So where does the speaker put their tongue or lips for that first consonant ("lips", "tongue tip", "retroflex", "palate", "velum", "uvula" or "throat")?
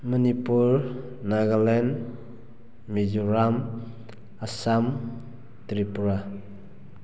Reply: lips